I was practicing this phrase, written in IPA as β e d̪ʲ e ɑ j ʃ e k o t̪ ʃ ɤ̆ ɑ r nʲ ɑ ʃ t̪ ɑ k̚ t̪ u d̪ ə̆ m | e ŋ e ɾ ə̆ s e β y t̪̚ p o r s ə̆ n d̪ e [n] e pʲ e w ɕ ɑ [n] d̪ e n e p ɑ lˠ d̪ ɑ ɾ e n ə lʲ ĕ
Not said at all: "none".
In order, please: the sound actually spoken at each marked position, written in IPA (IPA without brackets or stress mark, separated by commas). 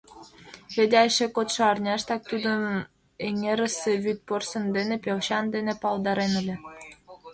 n, n